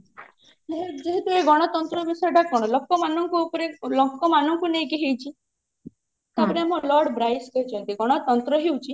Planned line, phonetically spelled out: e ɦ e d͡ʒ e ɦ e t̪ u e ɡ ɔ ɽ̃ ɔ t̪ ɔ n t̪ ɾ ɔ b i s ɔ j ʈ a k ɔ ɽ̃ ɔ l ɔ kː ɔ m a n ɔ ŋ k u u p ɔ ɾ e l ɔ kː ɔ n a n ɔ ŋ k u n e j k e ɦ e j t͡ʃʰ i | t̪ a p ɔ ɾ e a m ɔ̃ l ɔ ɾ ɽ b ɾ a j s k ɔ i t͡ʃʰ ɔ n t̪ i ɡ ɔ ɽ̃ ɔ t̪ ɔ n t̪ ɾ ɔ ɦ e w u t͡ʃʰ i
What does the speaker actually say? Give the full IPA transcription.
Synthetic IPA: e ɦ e d͡ʒ e ɦ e t̪ u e ɡ ɔ ɽ̃ ɔ t̪ ɔ n t̪ ɾ ɔ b i s ɔ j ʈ a k ɔ ɽ̃ ɔ l ɔ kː ɔ m a n ɔ ŋ k u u p ɔ ɾ e l ɔ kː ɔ m a n ɔ ŋ k u n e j k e ɦ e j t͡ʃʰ i | t̪ a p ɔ ɾ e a m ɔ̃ l ɔ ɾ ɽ b ɾ a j s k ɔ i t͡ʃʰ ɔ n t̪ i ɡ ɔ ɽ̃ ɔ t̪ ɔ n t̪ ɾ ɔ ɦ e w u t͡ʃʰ i